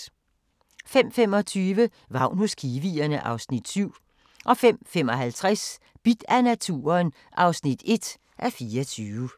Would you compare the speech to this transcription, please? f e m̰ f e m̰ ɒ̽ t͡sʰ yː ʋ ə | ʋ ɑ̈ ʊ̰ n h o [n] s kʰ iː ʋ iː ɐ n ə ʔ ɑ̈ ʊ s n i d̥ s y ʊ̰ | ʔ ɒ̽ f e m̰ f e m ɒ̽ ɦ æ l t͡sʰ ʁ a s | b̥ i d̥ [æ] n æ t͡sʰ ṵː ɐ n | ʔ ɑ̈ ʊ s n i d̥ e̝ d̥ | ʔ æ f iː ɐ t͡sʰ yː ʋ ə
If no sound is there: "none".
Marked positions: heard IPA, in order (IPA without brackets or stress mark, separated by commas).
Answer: none, æ